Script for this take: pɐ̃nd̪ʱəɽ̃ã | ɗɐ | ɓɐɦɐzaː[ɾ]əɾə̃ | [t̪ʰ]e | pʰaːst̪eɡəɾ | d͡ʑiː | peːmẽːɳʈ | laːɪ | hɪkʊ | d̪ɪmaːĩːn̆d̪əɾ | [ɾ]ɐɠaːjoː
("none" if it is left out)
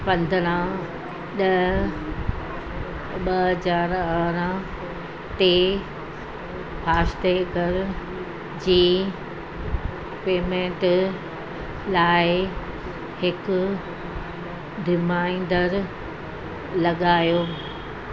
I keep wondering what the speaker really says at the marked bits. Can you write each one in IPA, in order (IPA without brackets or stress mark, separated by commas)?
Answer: ɾ, t̪, l